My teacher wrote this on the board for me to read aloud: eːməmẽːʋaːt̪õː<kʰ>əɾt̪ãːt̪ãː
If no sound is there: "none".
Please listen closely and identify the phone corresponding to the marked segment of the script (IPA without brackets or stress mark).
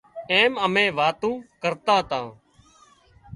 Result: k